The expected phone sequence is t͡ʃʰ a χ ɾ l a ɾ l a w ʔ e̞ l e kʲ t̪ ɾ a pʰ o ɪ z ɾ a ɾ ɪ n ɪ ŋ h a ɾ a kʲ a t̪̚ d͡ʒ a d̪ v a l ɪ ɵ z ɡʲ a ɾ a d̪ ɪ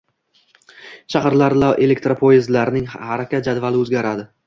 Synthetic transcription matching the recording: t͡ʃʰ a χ ɾ l a ɾ l a w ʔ e̞ l e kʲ t̪ ɾ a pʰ o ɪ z l a ɾ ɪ n ɪ ŋ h a ɾ a kʲ a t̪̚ d͡ʒ a d̪ v a l ɪ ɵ z ɡʲ a ɾ a d̪ ɪ